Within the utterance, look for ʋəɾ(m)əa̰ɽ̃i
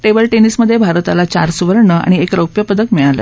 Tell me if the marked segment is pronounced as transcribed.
no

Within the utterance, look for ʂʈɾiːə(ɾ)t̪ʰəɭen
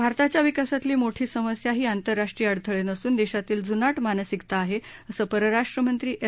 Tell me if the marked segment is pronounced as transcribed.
no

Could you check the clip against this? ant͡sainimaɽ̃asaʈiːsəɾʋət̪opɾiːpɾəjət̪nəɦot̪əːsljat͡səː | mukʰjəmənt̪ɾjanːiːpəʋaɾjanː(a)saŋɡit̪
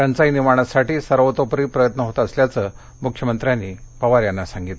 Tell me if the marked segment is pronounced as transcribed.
yes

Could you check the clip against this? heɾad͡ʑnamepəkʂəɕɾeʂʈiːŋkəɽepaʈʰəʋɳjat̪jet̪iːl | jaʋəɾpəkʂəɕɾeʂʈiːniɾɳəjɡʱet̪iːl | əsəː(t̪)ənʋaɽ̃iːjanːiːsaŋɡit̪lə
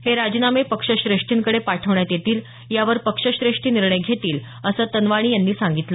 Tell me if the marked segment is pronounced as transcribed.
yes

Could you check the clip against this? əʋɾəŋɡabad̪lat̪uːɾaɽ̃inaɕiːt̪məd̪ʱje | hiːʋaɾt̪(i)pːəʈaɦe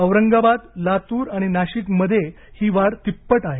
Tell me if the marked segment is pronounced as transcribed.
yes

